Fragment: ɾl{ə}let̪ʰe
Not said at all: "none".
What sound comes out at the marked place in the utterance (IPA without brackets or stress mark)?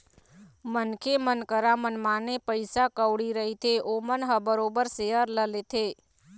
ə